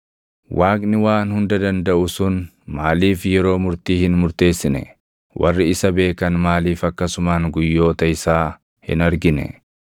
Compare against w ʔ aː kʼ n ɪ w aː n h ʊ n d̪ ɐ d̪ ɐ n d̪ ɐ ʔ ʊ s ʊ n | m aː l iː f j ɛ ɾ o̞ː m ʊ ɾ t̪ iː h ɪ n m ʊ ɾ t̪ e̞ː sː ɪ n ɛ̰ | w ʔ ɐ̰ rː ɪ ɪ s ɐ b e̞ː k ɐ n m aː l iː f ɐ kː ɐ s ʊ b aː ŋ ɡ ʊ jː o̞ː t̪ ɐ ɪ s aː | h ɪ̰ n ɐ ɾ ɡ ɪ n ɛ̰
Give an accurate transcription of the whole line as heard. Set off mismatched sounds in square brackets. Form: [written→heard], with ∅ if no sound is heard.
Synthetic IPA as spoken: w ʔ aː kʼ n ɪ w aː n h ʊ n d̪ ɐ d̪ ɐ n d̪ ɐ ʔ ʊ s ʊ n | m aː l iː f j ɛ ɾ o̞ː m ʊ ɾ t̪ iː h ɪ n m ʊ ɾ t̪ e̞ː sː ɪ n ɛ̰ | w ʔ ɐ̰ rː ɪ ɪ s ɐ b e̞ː k ɐ n m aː l iː f ɐ kː ɐ s ʊ [b→m] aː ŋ ɡ ʊ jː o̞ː t̪ ɐ ɪ s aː | h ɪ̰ n ɐ ɾ ɡ ɪ n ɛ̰

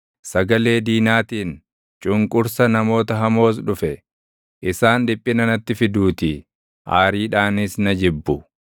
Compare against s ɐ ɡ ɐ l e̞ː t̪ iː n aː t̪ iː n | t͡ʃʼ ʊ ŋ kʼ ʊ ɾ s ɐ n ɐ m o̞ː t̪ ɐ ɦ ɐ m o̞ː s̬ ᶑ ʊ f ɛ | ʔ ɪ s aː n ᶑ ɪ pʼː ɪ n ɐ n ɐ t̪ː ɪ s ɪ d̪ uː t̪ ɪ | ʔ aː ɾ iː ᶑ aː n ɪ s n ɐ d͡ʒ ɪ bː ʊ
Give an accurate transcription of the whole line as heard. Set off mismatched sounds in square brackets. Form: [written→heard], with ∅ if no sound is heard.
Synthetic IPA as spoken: s ɐ ɡ ɐ l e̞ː [t̪→d̪] iː n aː t̪ iː n | t͡ʃʼ ʊ ŋ kʼ ʊ ɾ s ɐ n ɐ m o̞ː t̪ ɐ ɦ ɐ m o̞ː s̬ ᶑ ʊ f ɛ | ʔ ɪ s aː n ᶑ ɪ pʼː ɪ n ɐ n ɐ t̪ː ɪ [s→f] ɪ d̪ uː t̪ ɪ | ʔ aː ɾ iː ᶑ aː n ɪ s n ɐ d͡ʒ ɪ bː ʊ

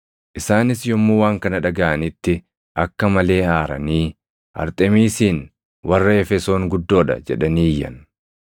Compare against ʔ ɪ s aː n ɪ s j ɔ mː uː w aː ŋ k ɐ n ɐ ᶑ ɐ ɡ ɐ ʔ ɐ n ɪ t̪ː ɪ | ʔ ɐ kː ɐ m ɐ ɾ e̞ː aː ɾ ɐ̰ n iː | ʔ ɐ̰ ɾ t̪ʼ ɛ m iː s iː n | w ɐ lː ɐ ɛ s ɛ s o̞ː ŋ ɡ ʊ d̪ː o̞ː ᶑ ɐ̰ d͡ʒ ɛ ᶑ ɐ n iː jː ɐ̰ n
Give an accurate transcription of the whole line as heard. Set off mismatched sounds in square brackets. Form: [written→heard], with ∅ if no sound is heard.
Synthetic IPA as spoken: ʔ ɪ s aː n ɪ s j ɔ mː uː w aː ŋ k ɐ n ɐ ᶑ ɐ ɡ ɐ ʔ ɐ n ɪ t̪ː ɪ | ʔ ɐ kː ɐ m ɐ [ɾ→l] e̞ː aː ɾ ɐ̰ n iː | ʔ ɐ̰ ɾ t̪ʼ ɛ m iː s iː n | w ɐ [lː→rː] ɐ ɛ [s→f] ɛ s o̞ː ŋ ɡ ʊ d̪ː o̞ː ᶑ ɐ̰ d͡ʒ ɛ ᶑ ɐ n iː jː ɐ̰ n

